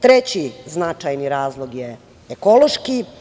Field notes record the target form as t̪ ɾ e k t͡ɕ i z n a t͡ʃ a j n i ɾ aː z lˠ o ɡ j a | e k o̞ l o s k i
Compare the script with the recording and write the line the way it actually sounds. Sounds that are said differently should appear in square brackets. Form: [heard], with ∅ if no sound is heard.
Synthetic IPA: t̪ ɾ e [∅] t͡ɕ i z n a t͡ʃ a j n i ɾ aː z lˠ o ɡ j [e] | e k o̞ l o [ʃ] k i